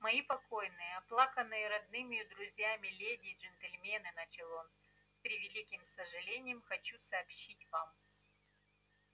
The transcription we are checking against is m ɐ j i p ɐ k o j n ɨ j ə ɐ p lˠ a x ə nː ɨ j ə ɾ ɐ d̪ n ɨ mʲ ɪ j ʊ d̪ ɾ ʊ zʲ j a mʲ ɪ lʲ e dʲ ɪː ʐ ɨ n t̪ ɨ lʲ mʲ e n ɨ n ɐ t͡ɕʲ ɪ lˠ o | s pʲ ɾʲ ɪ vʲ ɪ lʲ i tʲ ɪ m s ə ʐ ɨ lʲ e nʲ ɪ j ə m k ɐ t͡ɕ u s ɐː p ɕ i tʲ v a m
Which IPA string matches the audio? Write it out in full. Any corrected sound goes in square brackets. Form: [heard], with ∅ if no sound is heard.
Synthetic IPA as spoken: m ɐ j i p ɐ k o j n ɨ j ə ɐ p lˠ a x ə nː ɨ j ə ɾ ɐ d̪ n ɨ mʲ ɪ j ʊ d̪ ɾ ʊ zʲ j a mʲ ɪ lʲ e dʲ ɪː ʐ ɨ n t̪ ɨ lʲ mʲ e n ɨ n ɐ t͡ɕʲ ɪ lˠ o | s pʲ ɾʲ ɪ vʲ ɪ lʲ i [kʲ] ɪ m s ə ʐ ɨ lʲ e nʲ ɪ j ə m [x] ɐ t͡ɕ u s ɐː p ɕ i tʲ v a m